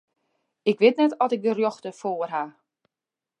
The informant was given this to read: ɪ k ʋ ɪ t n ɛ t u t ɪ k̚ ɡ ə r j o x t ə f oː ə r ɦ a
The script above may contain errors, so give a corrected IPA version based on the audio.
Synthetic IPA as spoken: ɪ k ʋ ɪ t n ɛ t ɔ t ɪ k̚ d ə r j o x t ə f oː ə r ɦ a